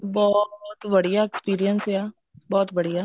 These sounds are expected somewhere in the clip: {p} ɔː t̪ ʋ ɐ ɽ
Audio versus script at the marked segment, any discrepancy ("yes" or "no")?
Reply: yes